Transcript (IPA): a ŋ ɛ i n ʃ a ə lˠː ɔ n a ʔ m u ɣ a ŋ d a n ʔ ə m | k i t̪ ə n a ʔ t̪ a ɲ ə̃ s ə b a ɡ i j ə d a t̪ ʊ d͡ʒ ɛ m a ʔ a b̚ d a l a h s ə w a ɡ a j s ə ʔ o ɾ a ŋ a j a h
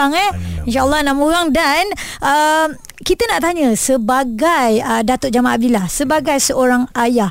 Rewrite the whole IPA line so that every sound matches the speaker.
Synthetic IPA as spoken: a ŋ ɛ i n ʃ a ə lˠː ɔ n a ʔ m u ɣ a ŋ d a n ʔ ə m | k i t̪ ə n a ʔ t̪ a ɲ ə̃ s ə b a ɡ a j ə d a t̪ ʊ d͡ʒ a m a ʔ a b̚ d i l a h s ə b a ɡ a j s ə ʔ o ɾ a ŋ a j a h